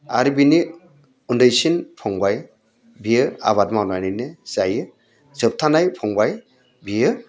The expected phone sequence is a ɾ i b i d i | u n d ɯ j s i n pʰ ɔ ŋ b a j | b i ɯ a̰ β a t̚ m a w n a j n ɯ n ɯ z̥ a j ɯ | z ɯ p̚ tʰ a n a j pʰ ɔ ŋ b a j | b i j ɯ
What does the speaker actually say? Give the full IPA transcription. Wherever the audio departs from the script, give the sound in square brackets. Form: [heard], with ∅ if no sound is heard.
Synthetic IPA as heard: a ɾ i b i [n] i | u n d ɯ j s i n pʰ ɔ ŋ b a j | b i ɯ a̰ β a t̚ m a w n a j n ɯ n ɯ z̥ a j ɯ | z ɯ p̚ tʰ a n a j pʰ ɔ ŋ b a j | b i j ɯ

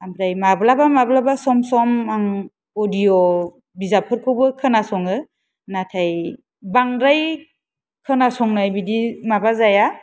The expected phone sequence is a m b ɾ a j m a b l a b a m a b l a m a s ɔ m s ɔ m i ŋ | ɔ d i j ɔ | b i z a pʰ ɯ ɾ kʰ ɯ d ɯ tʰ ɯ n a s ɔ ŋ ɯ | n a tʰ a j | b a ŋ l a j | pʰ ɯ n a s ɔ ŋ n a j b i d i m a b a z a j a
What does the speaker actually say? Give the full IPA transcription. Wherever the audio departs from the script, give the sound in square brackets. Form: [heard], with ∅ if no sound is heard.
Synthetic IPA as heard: a m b ɾ a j m a b l a b a m a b l a [b] a s ɔ m s ɔ m [a] ŋ | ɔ d i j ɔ | b i z a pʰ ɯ ɾ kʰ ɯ [b] ɯ [kʰ] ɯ n a s ɔ ŋ ɯ | n a tʰ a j | b a ŋ [ɾ] a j | [kʰ] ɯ n a s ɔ ŋ n a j b i d i m a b a z a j a

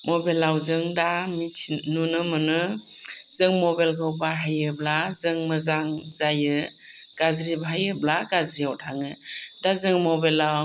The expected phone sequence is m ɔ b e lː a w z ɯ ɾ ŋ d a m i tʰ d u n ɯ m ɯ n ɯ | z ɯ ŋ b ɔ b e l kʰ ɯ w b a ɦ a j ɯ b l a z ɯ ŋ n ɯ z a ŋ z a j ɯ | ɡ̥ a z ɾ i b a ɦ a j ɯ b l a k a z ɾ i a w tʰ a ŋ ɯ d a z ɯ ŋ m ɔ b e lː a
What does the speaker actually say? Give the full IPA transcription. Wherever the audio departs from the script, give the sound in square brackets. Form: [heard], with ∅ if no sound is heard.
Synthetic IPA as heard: m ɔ b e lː a w z ɯ [∅] ŋ d a m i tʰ [n] u n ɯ m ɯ n ɯ | z ɯ ŋ [m] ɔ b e l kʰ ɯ w b a ɦ a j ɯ b l a z ɯ ŋ [m] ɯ z a ŋ z a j ɯ | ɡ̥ a z ɾ i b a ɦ a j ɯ b l a [ɡ] a z ɾ i a w tʰ a ŋ ɯ d a z ɯ ŋ m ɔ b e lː a

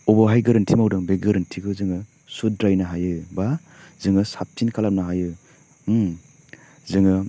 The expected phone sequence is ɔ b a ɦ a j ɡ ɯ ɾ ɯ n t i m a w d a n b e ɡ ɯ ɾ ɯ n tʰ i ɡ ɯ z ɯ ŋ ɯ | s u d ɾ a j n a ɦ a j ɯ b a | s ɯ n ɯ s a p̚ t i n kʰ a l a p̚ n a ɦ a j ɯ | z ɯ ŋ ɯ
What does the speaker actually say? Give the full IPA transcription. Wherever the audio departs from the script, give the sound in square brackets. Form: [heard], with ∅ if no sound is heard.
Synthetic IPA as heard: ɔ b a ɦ a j ɡ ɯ ɾ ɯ n [tʰ] i m a w d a [ŋ] b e ɡ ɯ ɾ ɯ n tʰ i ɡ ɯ z ɯ ŋ ɯ | s u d ɾ a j n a ɦ a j ɯ b a | [z] ɯ [ŋ] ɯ s a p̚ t i n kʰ a l a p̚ n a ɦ a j ɯ | z ɯ ŋ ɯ

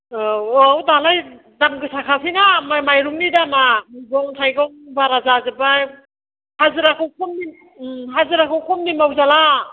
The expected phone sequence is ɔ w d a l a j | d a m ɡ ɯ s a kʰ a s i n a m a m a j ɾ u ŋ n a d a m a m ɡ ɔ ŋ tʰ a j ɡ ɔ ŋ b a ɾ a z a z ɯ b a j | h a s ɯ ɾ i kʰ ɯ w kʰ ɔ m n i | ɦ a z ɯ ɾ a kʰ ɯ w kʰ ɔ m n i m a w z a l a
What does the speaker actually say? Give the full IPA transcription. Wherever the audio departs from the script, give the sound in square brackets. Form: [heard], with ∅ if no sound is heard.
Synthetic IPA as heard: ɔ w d a l a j | d a m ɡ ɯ s a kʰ a s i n a m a m a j ɾ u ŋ n [i] d a m a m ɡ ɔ ŋ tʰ a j ɡ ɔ ŋ b a ɾ a z a z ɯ b a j | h a [z] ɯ ɾ [a] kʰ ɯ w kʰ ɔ m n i | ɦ a z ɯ ɾ a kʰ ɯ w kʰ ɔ m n i m a w z a l a

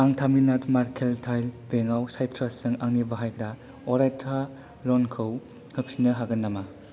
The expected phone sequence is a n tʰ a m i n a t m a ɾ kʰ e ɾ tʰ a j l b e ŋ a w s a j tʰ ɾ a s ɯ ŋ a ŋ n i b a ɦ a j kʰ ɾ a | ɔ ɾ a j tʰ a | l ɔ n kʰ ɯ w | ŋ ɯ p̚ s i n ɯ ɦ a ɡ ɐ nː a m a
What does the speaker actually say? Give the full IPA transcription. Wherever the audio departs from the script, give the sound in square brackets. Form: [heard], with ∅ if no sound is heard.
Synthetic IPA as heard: a [ŋ] tʰ a m i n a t m a ɾ kʰ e [l] tʰ a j l b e ŋ a w s a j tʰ ɾ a s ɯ ŋ a ŋ n i b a ɦ a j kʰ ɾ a | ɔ ɾ a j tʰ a | l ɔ n kʰ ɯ w | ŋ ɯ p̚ s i n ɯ ɦ a ɡ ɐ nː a m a

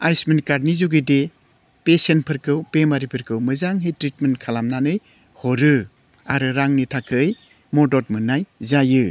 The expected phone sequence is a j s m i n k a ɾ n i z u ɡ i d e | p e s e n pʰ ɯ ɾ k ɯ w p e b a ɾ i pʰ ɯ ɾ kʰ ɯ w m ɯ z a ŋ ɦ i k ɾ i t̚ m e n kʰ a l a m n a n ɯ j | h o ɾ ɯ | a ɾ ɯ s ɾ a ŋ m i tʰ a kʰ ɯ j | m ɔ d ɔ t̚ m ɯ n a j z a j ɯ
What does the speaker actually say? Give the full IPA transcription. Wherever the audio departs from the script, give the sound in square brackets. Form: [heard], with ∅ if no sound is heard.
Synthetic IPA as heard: a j s m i n k a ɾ n i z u ɡ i d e | p e s e n pʰ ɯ ɾ k ɯ w p e [m] a ɾ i pʰ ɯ ɾ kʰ ɯ w m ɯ z a ŋ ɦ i [t] ɾ i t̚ m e n kʰ a l a m n a n ɯ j | h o ɾ ɯ | a ɾ ɯ [∅] ɾ a ŋ [n] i tʰ a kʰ ɯ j | m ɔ d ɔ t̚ m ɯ n a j z a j ɯ

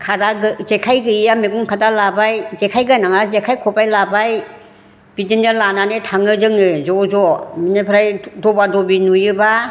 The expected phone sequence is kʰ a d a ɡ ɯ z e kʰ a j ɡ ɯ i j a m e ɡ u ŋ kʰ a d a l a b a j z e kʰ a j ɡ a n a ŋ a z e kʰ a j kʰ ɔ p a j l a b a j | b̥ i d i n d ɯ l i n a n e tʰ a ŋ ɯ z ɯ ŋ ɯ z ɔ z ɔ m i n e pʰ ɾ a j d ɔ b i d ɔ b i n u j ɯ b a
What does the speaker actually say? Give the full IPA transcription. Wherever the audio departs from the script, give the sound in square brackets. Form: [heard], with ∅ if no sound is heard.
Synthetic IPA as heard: kʰ a d a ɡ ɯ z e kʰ a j ɡ ɯ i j a m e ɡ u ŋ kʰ a d a l a b a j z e kʰ a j ɡ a n a ŋ a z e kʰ a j kʰ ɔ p a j l a b a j | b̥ i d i n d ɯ l [a] n a n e tʰ a ŋ ɯ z ɯ ŋ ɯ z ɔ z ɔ m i n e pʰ ɾ a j d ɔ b [a] d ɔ b i n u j ɯ b a

